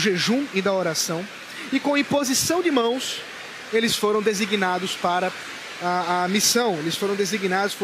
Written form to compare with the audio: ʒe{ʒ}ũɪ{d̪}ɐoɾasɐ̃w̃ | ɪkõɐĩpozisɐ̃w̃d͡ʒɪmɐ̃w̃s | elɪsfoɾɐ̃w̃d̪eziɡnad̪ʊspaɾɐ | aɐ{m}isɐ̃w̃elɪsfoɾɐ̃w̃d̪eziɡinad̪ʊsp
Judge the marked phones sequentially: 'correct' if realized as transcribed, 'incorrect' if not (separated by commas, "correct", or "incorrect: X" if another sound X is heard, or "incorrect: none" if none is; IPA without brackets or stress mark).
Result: correct, correct, correct